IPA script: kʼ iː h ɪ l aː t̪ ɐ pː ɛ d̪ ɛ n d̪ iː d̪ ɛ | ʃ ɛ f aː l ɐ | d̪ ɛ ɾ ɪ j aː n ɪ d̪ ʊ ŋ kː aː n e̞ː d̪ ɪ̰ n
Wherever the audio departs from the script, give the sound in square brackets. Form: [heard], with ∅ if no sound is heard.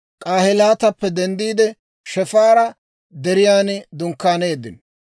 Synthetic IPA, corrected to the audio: kʼ [aː] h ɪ l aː t̪ ɐ pː ɛ d̪ ɛ n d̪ iː d̪ ɛ | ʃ ɛ f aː [ɾ] ɐ | d̪ ɛ ɾ ɪ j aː n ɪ d̪ ʊ ŋ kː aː n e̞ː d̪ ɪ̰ n